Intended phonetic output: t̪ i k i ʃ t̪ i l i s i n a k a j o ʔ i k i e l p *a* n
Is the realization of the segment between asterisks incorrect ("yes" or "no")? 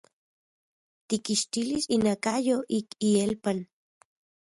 no